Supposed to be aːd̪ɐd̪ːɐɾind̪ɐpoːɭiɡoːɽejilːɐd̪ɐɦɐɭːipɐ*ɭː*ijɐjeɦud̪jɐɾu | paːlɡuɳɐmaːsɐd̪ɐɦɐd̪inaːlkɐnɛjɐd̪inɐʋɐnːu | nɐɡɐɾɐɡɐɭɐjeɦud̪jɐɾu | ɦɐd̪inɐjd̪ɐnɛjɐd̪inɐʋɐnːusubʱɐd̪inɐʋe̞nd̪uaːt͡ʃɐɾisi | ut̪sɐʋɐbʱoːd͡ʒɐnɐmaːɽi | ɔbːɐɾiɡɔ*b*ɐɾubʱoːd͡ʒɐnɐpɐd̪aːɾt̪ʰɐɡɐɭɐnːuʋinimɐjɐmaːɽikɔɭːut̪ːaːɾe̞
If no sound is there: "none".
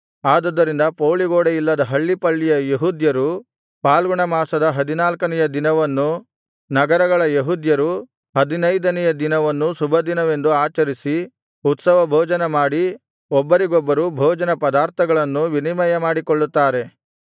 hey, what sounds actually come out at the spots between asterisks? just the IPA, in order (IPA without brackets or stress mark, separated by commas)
ɭː, bː